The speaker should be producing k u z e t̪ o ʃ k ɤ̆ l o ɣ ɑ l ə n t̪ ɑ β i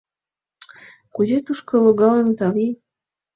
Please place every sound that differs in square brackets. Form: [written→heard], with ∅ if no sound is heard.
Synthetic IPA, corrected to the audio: k u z e t̪ [o→u] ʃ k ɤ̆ l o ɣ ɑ l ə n t̪ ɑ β i